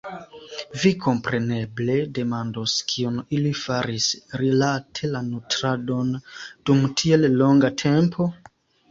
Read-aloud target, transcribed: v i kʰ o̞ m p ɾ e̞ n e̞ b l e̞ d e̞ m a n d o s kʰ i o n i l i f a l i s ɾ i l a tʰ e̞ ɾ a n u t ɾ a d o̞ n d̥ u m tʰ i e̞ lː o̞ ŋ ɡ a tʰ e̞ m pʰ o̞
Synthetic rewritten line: v i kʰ o̞ m p ɾ e̞ n e̞ b l e̞ d e̞ m a n d o s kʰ i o n i l i f a ɾ i s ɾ i l a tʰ e̞ l a n u t ɾ a d o̞ n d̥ u m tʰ i e̞ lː o̞ ŋ ɡ a tʰ e̞ m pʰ o̞